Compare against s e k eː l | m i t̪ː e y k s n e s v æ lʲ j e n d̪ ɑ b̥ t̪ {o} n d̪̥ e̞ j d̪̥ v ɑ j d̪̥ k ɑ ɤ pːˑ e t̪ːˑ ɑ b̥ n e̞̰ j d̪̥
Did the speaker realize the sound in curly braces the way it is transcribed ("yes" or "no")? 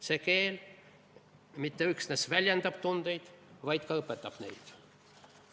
no